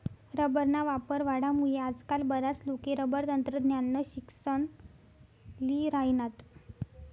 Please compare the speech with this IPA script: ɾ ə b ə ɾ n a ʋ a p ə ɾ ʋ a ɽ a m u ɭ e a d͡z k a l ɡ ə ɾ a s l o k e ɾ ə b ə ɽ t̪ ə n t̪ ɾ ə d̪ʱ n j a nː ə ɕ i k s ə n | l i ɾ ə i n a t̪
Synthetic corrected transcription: ɾ ə b ə ɾ n a ʋ a p ə ɾ ʋ a ɽ a m u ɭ e a d͡z k a l b ə ɾ a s l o k e ɾ ə b ə ɾ t̪ ə n t̪ ɾ ə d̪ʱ n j a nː ə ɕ i k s ə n | l i ɾ a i n a t̪